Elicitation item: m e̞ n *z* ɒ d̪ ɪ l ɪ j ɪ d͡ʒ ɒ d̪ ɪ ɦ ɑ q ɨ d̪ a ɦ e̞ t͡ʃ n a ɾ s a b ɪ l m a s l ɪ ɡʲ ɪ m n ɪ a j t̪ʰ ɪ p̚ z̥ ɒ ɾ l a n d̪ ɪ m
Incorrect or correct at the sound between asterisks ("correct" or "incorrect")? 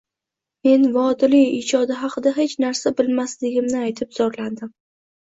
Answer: incorrect